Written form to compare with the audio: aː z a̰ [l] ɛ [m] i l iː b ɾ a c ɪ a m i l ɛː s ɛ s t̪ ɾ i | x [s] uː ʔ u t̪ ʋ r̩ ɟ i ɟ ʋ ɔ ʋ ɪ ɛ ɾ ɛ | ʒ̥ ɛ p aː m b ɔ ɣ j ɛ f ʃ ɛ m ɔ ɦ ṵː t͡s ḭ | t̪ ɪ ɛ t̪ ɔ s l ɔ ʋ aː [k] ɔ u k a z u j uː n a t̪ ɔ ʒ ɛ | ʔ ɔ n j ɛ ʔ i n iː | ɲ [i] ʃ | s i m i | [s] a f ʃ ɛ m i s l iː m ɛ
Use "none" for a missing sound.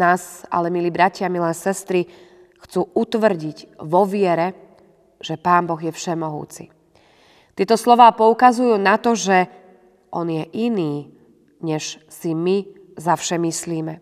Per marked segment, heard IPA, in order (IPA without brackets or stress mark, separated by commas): l, m, t͡s, p, ɛ, z